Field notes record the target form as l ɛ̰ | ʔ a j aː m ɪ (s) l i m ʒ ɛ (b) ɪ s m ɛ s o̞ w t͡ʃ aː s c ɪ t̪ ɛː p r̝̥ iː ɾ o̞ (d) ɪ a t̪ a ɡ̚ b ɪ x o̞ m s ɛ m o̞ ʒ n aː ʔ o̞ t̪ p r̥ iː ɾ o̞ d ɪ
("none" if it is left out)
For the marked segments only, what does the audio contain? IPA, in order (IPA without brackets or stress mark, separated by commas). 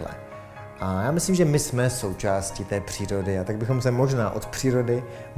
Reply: s, m, d